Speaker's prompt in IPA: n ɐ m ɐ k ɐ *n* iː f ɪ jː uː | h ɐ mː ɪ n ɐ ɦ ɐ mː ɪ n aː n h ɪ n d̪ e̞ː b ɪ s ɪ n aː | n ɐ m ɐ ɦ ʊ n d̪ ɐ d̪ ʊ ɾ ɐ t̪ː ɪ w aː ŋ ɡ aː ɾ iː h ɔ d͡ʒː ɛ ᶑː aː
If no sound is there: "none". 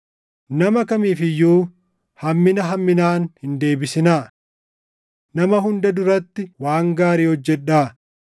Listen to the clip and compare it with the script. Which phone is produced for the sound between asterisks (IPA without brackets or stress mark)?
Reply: m